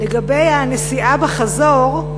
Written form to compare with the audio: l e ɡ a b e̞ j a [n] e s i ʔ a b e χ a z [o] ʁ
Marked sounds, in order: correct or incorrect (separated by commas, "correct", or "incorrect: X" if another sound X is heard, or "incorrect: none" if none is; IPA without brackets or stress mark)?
correct, correct